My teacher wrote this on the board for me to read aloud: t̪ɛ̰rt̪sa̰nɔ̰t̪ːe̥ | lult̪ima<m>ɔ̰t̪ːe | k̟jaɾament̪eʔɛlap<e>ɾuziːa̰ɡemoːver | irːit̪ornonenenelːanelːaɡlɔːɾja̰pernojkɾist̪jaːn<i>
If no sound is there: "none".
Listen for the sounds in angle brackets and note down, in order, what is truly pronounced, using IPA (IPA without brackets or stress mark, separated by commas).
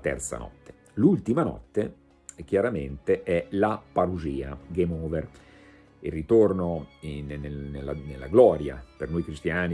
n, a, i